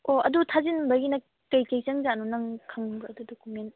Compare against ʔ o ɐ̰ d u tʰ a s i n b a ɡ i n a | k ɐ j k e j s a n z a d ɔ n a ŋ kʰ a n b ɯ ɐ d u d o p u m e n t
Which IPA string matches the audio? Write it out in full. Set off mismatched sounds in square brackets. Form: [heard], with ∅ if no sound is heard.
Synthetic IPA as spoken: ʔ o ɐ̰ d u tʰ a [z] i n b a ɡ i n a | k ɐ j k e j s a [ŋ] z a [n] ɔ n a ŋ kʰ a [ŋ] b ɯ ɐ d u d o [k] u m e n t